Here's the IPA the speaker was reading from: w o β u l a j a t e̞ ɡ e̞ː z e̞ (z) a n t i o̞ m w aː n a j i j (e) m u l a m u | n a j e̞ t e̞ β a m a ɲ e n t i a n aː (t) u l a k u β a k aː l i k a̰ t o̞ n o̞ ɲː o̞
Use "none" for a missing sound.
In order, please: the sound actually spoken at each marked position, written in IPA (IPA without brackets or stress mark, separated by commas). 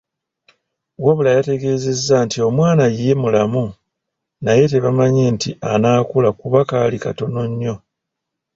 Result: zː, e, k